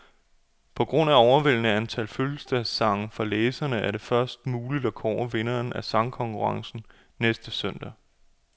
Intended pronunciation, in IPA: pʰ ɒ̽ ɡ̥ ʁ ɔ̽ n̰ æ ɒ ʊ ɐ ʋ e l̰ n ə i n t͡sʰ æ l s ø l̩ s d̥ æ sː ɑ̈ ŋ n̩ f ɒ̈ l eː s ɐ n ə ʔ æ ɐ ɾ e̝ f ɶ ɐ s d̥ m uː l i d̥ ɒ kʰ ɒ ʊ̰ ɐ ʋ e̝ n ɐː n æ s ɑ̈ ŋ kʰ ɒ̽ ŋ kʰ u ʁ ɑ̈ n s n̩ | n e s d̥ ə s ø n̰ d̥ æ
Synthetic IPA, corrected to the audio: pʰ ɒ̽ ɡ̥ ʁ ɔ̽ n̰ æ ɒ ʊ ɐ ʋ e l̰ n ə æ n t͡sʰ æ l f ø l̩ s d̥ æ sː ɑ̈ ŋ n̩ f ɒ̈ l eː s ɐ n ə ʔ æ ɐ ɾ e̝ f ɶ ɐ s d̥ m uː l i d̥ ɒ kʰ ɒ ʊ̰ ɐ ʋ e̝ n ɐː n æ s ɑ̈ ŋ kʰ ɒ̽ ŋ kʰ u ʁ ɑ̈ ŋ s n̩ | n e s d̥ ə s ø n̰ d̥ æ